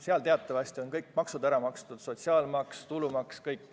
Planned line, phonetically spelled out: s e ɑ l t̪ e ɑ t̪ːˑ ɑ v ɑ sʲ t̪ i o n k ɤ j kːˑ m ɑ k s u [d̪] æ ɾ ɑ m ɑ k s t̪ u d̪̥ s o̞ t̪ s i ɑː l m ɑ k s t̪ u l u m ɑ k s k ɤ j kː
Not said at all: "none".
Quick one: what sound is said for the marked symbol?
d̪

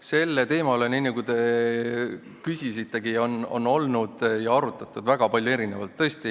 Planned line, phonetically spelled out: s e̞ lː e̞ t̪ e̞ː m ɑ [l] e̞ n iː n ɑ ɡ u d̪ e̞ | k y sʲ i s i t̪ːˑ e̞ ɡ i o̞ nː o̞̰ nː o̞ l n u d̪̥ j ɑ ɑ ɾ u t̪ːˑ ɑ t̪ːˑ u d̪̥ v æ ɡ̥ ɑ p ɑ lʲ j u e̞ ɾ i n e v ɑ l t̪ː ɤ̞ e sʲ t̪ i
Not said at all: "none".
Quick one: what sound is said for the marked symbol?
l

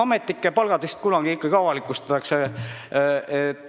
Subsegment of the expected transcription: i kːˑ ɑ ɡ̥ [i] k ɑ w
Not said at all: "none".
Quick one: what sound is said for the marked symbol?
i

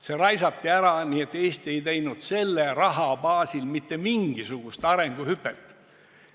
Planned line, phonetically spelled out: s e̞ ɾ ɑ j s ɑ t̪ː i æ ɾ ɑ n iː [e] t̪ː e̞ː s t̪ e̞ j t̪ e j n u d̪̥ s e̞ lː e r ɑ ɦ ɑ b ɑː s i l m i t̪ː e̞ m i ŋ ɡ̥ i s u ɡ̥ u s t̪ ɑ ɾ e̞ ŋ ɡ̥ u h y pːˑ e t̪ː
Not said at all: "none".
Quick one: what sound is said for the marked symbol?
e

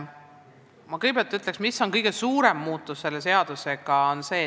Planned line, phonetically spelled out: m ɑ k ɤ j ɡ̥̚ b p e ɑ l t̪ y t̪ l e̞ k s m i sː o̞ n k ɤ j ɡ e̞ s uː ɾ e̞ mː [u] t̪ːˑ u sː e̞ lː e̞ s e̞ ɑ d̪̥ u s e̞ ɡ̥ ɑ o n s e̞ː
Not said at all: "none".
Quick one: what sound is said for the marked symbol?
uː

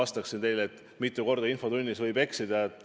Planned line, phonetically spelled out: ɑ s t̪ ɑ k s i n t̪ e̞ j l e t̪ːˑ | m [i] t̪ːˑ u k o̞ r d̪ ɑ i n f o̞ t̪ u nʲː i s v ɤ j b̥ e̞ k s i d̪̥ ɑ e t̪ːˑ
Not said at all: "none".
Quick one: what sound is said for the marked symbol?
i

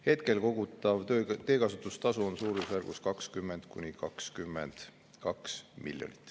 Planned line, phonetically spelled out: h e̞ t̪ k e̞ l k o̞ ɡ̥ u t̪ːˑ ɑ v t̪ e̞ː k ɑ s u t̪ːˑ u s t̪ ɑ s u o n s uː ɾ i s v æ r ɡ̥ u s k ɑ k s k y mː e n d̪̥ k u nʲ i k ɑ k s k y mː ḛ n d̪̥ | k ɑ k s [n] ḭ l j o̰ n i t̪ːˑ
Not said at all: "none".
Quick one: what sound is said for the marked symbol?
m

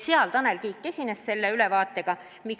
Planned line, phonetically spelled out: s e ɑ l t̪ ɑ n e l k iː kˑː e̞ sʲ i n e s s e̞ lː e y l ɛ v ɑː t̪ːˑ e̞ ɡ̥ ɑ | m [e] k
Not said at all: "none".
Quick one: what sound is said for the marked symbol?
i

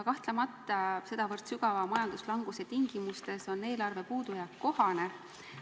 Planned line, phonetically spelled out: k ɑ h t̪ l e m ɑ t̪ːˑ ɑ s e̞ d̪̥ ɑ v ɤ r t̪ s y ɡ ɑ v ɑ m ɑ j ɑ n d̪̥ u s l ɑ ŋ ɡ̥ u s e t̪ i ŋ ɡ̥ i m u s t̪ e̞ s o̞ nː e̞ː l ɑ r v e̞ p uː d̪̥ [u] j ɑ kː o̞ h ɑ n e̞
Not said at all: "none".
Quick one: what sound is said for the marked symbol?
u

